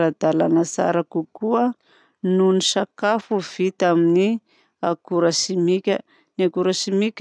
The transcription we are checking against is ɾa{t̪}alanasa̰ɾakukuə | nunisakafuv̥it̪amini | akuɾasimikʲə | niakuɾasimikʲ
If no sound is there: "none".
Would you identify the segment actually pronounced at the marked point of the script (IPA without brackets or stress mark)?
d̪